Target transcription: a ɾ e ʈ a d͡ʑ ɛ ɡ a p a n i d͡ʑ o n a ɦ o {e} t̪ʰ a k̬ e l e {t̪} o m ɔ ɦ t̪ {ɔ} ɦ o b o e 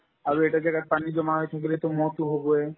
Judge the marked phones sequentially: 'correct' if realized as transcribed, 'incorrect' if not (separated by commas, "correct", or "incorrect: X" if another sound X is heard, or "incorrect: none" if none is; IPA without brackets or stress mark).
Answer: correct, correct, incorrect: u